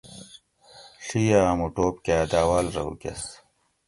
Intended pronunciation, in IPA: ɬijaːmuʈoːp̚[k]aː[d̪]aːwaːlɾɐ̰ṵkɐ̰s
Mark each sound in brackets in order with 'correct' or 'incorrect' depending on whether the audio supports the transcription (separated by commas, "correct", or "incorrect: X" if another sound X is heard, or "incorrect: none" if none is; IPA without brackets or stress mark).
correct, correct